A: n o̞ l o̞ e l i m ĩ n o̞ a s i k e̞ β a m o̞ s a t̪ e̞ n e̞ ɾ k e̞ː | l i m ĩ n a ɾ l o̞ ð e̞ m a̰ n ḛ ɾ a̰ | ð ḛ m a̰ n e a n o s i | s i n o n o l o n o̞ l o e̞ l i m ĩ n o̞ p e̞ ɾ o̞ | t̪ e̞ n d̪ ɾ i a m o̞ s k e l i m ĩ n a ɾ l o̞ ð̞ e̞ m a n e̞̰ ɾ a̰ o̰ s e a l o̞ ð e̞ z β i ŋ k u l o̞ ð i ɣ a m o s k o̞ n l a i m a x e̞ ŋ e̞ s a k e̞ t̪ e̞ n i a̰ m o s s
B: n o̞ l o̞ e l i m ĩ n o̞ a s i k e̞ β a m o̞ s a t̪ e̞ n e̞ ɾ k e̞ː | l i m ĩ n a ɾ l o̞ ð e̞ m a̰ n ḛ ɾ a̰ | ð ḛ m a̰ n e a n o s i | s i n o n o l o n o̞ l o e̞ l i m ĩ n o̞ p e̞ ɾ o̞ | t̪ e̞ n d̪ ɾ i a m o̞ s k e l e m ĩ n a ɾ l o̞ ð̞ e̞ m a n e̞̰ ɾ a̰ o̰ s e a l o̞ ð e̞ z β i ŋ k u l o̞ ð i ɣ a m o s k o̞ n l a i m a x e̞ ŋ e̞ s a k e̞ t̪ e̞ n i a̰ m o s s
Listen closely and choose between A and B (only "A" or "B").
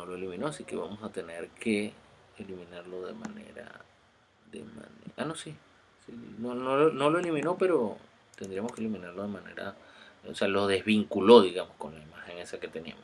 A